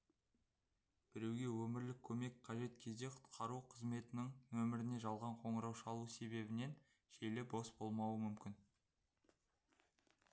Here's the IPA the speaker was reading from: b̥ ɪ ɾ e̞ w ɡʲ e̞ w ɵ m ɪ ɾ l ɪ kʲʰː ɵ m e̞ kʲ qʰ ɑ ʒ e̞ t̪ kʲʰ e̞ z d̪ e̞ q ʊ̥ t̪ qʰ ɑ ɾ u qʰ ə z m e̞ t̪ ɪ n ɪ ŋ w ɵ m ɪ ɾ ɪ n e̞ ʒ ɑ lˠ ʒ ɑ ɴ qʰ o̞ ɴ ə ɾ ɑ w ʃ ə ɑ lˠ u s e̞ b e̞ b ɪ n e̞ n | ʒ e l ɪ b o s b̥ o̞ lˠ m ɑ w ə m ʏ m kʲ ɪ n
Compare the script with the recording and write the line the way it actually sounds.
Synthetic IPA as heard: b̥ ɪ ɾ e̞ w ɡʲ e̞ w ɵ m ɪ ɾ l ɪ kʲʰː ɵ m e̞ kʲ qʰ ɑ ʒ e̞ t̪ kʲʰ e̞ z d̪ e̞ qʰ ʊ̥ t̪ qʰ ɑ ɾ u qʰ ə z m e̞ t̪ ɪ n ɪ ŋ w ɵ m ɪ ɾ ɪ n e̞ ʒ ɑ lˠ ʁ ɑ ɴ qʰ o̞ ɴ ə ɾ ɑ w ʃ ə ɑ lˠ u s e̞ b e̞ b ɪ n e̞ n | ʒ e l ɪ b o s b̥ o̞ lˠ m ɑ w ə m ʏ m kʲ ɪ n